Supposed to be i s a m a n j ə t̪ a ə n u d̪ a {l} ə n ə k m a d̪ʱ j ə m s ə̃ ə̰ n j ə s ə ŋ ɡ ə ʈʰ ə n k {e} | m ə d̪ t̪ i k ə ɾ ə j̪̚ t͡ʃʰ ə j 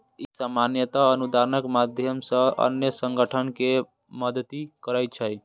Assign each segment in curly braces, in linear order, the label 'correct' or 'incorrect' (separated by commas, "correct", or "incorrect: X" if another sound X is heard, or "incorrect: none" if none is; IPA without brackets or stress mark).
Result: incorrect: ɾ, correct